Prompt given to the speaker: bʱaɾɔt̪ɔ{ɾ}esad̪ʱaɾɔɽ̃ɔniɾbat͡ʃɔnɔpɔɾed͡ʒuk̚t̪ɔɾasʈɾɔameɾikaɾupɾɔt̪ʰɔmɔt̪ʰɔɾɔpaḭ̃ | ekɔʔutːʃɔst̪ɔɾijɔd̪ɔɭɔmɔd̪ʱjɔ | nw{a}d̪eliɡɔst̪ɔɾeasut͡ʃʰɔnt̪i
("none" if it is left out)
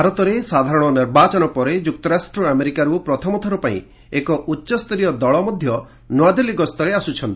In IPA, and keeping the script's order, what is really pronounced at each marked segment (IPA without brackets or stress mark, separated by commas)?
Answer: ɾ, a